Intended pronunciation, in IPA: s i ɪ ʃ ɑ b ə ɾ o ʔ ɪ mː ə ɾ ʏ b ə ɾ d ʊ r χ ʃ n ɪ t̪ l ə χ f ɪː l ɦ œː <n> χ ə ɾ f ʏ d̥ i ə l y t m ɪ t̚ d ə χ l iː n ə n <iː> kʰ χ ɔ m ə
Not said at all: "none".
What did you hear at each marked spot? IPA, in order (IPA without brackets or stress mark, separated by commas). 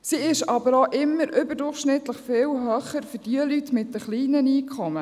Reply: none, iː